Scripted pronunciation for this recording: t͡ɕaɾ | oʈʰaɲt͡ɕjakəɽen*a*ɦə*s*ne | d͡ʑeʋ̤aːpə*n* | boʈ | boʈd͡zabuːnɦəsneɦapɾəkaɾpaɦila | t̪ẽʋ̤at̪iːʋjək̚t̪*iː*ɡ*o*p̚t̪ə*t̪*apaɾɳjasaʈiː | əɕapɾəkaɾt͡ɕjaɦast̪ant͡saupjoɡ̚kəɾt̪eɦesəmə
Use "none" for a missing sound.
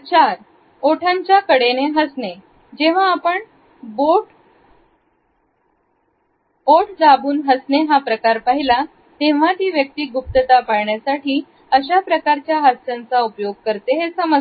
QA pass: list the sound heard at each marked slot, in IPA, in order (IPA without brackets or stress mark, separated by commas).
e, s, ɳ, iː, u, t̪